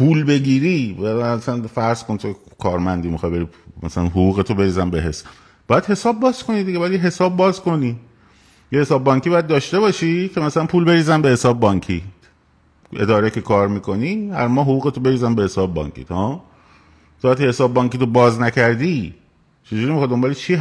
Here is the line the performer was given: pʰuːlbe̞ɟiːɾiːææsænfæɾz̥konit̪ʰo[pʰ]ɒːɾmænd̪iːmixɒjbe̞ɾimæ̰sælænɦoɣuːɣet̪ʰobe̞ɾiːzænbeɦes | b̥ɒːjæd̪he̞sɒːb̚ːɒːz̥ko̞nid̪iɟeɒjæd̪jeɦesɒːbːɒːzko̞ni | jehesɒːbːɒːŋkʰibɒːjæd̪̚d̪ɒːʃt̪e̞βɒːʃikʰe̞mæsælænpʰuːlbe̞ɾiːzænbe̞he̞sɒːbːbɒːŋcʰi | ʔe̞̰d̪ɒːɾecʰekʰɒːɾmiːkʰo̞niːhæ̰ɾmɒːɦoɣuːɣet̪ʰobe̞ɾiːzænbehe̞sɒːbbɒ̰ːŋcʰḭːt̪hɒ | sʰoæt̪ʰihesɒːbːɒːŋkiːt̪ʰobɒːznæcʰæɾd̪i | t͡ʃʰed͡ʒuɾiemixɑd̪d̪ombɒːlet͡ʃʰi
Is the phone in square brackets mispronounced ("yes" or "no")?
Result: yes